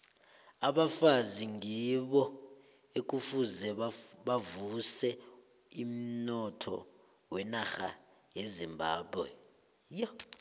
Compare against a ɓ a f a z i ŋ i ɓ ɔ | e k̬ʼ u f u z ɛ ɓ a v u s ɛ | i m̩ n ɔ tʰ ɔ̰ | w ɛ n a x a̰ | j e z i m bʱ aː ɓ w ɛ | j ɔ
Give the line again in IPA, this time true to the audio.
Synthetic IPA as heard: a ɓ a f a z i ŋ i ɓ ɔ | e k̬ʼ u f u z ɛ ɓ a v u s ɛ | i m̩ n ɔ tʰ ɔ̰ | w ɛ n a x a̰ | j e z i m bʱ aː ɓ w ɛ | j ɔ